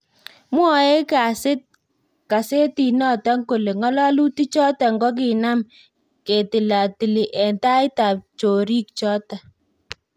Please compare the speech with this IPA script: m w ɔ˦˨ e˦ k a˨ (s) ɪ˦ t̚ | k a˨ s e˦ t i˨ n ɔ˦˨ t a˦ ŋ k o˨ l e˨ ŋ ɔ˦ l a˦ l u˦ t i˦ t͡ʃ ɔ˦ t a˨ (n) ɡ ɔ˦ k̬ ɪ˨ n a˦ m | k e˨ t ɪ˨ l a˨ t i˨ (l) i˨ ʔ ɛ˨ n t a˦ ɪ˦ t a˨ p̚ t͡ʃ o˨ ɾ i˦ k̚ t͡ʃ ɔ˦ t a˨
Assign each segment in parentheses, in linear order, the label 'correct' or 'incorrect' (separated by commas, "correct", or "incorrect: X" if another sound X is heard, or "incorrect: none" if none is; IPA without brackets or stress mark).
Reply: correct, incorrect: ŋ, correct